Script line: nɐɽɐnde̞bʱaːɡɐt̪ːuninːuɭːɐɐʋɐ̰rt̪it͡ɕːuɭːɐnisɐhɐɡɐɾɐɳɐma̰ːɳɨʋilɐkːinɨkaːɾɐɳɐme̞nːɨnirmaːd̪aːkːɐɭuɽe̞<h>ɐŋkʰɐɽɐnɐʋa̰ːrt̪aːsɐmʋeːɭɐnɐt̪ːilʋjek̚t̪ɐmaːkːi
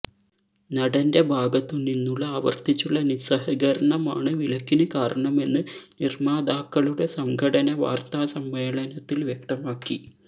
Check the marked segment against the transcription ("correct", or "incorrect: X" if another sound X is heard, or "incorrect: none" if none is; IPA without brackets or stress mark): incorrect: s